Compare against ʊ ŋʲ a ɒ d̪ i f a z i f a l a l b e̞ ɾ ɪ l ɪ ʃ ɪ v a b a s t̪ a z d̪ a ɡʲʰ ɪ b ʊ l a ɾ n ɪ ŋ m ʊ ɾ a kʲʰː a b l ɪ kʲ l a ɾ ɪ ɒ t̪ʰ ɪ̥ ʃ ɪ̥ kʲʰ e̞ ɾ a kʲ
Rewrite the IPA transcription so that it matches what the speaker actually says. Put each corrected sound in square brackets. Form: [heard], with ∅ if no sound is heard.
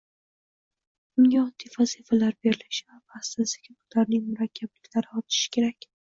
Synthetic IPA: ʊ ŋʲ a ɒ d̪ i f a z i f a l a [ɾ] b e̞ ɾ ɪ l ɪ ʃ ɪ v a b a s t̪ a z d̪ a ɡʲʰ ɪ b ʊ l a ɾ n ɪ ŋ m ʊ ɾ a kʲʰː a b l ɪ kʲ l a ɾ ɪ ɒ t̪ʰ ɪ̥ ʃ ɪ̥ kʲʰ e̞ ɾ a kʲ